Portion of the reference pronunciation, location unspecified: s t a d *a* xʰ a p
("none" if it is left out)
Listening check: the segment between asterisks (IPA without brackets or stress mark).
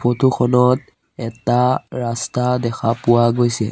ɛ